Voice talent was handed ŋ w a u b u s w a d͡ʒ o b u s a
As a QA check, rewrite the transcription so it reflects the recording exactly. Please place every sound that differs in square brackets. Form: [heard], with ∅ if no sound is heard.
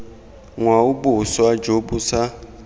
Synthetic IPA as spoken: ŋ w a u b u s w a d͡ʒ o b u s a